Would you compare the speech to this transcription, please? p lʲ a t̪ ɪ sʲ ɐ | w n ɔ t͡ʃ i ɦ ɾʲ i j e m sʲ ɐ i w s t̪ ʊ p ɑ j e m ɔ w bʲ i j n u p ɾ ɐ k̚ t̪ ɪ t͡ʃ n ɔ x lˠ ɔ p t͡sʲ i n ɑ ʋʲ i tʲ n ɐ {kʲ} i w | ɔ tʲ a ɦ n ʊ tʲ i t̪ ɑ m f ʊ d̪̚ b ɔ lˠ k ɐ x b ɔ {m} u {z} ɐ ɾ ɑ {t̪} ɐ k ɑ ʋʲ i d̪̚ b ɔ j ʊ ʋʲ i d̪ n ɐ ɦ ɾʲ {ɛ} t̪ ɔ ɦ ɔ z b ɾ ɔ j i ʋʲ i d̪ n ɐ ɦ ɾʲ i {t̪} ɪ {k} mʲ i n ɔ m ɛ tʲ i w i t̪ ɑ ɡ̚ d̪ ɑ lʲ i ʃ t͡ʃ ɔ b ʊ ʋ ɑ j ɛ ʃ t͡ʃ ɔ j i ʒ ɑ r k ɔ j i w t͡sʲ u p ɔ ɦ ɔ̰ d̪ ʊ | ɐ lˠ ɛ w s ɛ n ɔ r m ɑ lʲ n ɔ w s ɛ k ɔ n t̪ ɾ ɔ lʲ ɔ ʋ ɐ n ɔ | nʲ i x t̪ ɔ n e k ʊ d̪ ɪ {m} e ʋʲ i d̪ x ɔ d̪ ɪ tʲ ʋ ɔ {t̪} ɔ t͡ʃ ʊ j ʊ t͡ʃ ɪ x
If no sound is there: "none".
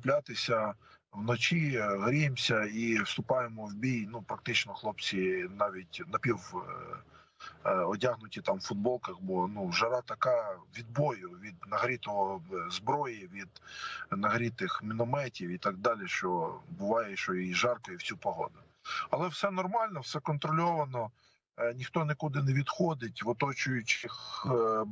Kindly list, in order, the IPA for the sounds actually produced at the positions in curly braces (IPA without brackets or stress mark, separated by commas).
pʲ, n, ʒ, t̪, i, t̪, x, n, t̪